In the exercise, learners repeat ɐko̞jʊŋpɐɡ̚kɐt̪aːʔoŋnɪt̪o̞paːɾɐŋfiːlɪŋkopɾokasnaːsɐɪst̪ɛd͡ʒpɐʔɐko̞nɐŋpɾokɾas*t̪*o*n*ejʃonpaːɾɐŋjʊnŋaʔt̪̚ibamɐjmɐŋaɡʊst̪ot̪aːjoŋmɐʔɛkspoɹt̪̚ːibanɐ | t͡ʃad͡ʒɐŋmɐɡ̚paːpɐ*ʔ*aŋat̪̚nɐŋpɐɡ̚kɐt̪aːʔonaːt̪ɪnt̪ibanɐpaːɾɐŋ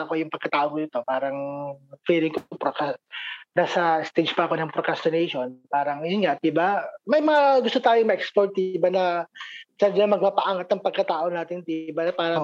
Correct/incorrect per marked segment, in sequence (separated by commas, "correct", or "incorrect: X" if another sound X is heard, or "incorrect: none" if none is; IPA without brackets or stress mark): correct, correct, correct